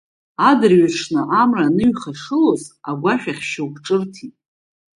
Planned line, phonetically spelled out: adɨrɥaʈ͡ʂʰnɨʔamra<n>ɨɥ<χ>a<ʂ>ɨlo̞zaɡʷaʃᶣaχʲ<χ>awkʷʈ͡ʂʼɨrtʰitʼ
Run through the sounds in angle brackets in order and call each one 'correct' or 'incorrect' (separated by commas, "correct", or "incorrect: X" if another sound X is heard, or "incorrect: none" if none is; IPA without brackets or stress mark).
correct, correct, correct, incorrect: ʃ